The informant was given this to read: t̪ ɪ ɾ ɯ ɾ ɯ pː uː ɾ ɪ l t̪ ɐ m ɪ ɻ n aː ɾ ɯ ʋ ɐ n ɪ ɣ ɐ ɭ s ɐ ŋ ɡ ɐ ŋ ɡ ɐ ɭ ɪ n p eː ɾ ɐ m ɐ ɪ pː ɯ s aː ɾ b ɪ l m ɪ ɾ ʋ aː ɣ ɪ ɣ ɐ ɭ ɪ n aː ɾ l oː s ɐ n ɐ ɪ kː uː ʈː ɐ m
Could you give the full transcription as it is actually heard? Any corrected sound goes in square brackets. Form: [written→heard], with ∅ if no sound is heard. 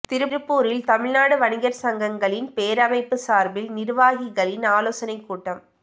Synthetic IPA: t̪ ɪ ɾ ɯ ɾ ɯ pː uː ɾ ɪ l t̪ ɐ m ɪ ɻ n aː [ɾ→ɽ] ɯ ʋ ɐ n ɪ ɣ ɐ [ɭ→ɾ] s ɐ ŋ ɡ ɐ ŋ ɡ ɐ ɭ ɪ n p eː ɾ ɐ m ɐ ɪ pː ɯ s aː ɾ b ɪ l [m→n] ɪ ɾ ʋ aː ɣ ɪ ɣ ɐ ɭ ɪ n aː [ɾ→∅] l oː s ɐ n ɐ ɪ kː uː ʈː ɐ m